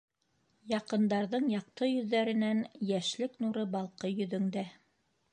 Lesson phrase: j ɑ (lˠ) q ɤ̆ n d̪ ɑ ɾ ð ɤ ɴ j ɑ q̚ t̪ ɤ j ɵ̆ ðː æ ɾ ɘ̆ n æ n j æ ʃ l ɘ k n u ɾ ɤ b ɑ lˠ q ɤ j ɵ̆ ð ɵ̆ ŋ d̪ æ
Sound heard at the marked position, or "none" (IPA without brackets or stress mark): none